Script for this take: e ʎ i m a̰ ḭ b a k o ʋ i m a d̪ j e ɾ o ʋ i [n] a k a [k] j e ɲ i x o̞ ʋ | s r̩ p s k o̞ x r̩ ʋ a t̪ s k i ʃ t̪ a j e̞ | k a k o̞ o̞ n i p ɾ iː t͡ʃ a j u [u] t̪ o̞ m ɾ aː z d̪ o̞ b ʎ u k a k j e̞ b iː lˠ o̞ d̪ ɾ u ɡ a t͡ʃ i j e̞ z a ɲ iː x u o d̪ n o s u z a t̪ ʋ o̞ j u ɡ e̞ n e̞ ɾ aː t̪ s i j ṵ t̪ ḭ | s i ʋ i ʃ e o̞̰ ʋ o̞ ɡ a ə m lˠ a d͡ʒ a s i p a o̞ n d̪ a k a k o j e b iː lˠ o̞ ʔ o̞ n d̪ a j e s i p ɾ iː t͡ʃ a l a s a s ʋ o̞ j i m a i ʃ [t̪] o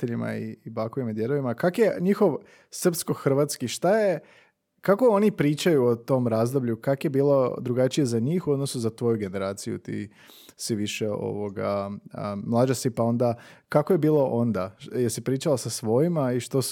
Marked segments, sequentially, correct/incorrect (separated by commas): incorrect, correct, incorrect, correct